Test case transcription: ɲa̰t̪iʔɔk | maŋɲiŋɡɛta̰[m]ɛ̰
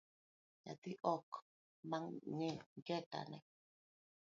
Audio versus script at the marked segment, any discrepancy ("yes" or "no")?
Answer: yes